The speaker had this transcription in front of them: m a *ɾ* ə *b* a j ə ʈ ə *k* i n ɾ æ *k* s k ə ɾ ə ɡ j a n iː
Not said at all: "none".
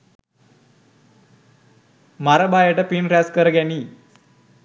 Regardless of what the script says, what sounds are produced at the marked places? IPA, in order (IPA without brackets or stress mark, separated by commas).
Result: ɾ, b, p, none